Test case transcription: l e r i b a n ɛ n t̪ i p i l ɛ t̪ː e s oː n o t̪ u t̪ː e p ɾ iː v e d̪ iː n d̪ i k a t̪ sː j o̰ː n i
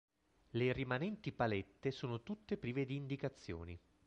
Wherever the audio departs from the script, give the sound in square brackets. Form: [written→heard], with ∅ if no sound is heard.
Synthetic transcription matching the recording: l e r i [b→m] a n ɛ n t̪ i p [i→a] l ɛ t̪ː e s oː n o t̪ u t̪ː e p ɾ iː v e d̪ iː n d̪ i k a t̪ sː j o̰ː n i